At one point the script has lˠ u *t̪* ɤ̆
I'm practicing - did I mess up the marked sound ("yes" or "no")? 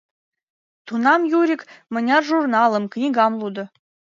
yes